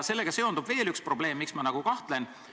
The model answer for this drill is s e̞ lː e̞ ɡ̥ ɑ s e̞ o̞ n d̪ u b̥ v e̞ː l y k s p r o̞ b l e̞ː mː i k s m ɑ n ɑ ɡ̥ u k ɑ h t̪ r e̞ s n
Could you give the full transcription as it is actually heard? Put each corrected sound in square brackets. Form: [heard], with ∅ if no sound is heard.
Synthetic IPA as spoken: s e̞ lː e̞ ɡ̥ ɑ s e̞ o̞ n d̪ u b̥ v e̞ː l y k s p r o̞ b l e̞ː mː i k s m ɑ n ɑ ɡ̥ u k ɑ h t̪ [l] e̞ [∅] n